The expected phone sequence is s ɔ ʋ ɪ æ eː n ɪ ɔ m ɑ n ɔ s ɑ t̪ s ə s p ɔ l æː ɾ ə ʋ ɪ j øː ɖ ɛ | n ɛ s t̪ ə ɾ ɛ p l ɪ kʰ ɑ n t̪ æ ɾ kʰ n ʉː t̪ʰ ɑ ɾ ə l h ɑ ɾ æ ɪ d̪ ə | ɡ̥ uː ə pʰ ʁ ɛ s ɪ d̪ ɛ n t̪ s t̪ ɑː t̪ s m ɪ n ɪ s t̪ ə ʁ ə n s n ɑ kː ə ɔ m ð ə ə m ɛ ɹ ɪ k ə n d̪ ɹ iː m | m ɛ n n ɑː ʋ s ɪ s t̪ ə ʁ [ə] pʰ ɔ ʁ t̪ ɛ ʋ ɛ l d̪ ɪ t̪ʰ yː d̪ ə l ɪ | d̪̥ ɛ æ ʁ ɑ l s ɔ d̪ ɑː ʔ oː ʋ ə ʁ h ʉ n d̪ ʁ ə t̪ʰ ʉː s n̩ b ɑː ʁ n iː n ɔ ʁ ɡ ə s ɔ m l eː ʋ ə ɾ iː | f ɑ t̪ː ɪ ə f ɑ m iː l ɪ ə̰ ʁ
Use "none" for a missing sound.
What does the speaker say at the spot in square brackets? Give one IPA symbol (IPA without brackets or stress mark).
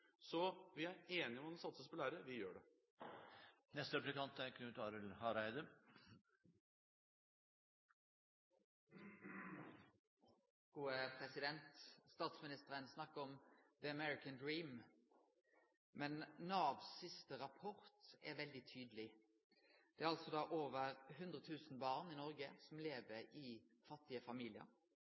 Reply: ɑ